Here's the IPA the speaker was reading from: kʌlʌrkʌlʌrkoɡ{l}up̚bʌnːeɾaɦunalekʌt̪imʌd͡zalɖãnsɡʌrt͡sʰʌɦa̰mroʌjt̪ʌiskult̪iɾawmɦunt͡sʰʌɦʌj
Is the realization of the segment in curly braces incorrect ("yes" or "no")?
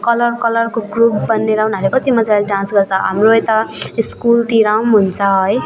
yes